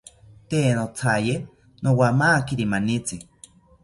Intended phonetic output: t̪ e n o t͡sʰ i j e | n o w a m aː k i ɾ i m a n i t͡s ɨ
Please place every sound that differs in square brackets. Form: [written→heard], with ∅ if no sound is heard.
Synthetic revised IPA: t̪ e n o t͡sʰ [i→a] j e | n o w a m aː k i ɾ i m a n i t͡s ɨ